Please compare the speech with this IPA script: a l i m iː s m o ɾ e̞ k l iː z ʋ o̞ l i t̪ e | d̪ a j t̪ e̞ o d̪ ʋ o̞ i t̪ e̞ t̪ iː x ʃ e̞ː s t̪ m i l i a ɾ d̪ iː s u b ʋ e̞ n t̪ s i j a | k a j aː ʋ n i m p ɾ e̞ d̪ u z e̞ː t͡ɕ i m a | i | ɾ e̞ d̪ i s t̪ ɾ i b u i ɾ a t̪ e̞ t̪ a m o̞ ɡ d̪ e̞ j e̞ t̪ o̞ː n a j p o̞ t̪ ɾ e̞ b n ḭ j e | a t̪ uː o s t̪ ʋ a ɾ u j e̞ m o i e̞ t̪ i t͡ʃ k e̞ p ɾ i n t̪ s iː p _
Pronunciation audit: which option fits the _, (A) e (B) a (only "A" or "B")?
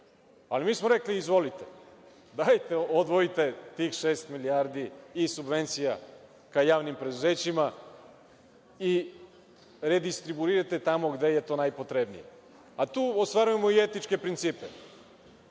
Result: A